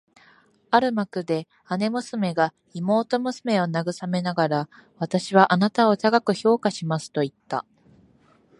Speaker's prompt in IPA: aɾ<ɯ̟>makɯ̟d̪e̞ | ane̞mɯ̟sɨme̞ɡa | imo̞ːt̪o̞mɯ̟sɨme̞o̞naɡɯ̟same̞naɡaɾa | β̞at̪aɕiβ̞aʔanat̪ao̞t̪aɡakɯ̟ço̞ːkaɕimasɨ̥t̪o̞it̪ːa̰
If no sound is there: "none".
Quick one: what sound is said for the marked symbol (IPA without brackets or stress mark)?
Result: ɯ̟